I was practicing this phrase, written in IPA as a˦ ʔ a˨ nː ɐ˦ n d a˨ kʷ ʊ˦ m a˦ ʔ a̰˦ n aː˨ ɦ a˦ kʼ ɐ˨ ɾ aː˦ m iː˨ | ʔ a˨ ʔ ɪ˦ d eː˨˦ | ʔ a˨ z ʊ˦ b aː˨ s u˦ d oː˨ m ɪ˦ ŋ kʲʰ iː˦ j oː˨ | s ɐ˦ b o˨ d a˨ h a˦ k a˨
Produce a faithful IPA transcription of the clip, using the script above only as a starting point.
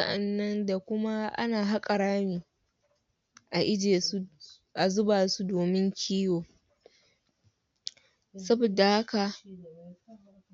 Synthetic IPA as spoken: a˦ ʔ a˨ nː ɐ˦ n d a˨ kʷ ʊ˦ m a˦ ʔ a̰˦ n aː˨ ɦ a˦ kʼ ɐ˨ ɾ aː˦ m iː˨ | ʔ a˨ ʔ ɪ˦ d͡ʒ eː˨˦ | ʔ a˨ z ʊ˦ b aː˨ s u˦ d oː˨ m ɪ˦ ŋ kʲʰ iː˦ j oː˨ | s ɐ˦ b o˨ d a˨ h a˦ k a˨